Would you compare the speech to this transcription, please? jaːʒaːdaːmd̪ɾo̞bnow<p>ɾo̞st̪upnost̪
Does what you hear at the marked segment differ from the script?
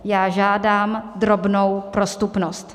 no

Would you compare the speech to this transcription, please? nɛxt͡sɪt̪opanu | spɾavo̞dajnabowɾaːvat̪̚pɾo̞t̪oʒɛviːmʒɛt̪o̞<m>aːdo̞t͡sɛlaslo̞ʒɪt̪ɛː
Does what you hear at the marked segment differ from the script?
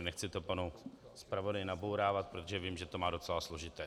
no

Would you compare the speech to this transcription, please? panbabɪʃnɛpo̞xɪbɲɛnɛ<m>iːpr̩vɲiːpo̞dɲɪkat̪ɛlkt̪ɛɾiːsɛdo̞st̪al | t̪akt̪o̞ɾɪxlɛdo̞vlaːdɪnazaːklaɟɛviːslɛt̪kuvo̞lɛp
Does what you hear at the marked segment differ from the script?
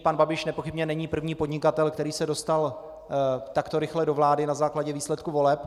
yes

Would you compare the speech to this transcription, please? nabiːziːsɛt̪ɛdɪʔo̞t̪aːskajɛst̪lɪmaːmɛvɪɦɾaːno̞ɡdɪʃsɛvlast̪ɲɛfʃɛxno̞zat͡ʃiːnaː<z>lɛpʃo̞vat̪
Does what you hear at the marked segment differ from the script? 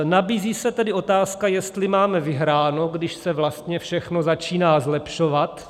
no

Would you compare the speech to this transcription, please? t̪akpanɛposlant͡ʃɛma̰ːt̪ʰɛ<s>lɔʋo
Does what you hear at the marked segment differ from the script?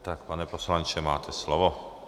no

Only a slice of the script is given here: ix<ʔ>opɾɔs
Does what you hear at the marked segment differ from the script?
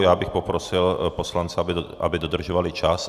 yes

